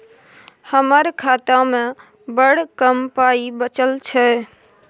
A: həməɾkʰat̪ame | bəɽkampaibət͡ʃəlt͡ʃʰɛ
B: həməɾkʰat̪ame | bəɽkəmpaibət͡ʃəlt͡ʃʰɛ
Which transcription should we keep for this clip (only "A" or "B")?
B